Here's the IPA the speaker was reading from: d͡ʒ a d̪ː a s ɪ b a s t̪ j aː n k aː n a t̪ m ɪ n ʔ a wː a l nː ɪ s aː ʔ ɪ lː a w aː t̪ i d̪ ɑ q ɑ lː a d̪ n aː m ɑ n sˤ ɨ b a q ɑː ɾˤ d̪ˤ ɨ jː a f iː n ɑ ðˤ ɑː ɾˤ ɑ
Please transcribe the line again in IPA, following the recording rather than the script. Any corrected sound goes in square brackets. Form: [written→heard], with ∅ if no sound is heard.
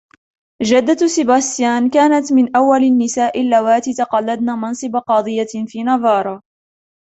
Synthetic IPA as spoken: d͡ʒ a d̪ː a s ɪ b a s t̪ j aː n k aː n a t̪ m ɪ n ʔ a wː a l nː ɪ s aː ʔ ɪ lː a w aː t̪ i [d̪→t̪] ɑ q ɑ lː a d̪ n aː m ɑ n sˤ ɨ b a q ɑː [ɾˤ→∅] d̪ˤ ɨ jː a f iː n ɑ ðˤ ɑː ɾˤ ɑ